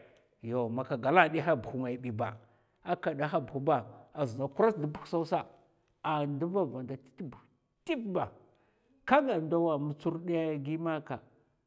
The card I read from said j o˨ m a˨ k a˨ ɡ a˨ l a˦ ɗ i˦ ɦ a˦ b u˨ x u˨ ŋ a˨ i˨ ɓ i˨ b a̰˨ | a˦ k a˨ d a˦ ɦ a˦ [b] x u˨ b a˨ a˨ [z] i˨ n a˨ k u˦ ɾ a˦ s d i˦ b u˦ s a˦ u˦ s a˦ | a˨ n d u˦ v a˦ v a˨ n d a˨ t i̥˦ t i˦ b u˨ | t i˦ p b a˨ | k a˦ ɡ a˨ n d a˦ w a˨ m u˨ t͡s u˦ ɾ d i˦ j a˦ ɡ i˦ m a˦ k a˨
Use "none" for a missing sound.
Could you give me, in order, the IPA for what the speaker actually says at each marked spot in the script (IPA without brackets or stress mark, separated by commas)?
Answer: b, z